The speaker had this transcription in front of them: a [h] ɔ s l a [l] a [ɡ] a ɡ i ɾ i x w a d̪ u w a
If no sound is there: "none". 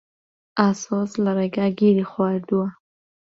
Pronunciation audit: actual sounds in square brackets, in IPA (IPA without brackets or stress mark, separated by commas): s, ɾ, ɡ